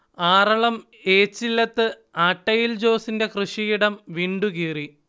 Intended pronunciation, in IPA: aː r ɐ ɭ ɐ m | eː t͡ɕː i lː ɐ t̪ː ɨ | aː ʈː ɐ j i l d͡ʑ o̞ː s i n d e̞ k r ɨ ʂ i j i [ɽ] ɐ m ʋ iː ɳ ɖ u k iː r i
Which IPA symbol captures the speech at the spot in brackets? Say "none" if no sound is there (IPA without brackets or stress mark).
ɽ